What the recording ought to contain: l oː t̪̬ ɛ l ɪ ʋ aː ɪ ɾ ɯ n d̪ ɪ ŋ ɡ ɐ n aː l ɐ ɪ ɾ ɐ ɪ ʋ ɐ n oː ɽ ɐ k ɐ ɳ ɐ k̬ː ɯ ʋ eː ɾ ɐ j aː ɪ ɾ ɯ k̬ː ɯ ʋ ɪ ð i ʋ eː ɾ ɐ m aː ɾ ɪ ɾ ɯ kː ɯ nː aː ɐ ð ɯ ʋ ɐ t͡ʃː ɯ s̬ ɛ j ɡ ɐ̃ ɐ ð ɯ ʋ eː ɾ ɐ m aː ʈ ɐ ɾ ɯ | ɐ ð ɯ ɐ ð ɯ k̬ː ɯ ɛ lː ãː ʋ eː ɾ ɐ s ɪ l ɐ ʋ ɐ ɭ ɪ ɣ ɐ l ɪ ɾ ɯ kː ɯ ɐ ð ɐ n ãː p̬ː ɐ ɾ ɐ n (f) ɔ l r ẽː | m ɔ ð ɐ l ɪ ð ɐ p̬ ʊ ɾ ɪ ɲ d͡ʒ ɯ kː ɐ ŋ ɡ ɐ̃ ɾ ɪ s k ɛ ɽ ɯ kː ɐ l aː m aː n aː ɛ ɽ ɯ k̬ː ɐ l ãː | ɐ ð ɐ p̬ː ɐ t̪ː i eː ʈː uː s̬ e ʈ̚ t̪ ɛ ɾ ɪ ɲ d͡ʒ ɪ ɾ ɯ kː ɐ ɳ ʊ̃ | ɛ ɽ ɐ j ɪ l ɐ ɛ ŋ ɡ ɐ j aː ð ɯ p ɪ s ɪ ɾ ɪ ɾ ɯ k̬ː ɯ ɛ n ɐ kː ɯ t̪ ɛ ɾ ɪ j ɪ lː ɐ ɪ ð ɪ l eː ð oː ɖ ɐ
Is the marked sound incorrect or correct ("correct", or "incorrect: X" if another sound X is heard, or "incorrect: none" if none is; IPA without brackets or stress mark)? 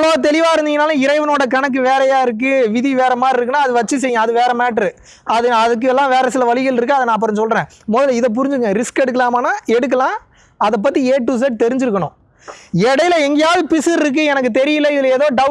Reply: incorrect: s